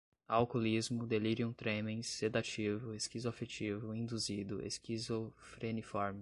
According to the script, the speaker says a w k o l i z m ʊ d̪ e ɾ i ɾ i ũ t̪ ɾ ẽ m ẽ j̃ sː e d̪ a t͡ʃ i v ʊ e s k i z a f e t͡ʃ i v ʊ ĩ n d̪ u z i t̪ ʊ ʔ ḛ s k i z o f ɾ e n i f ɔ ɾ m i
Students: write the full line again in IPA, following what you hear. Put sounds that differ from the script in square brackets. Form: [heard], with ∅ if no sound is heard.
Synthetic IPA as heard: a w k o l i z m ʊ d̪ e [l] i ɾ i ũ t̪ ɾ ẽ m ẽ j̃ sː e d̪ a t͡ʃ i v ʊ e s k i z a f e t͡ʃ i v ʊ ĩ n d̪ u z i [d̪] ʊ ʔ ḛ s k i z o f ɾ e n i f ɔ ɾ m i